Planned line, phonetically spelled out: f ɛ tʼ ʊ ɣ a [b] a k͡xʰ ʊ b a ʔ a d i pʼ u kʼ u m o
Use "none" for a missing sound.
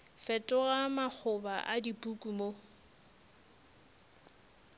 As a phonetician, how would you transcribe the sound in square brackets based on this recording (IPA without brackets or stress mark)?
m